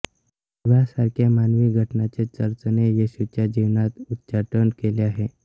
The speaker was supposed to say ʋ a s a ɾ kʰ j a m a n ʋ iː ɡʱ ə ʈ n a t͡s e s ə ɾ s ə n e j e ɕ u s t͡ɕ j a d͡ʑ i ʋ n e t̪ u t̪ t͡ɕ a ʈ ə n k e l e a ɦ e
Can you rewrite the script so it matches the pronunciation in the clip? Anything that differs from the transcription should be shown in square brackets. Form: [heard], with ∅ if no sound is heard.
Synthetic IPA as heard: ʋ a s a ɾ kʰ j a m a n ʋ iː ɡʱ ə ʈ n a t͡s e [t͡s] ə ɾ [t͡s] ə n e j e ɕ u [∅] t͡ɕ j a d͡ʑ i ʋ n [a] t̪ u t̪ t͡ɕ a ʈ ə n k e l e a ɦ e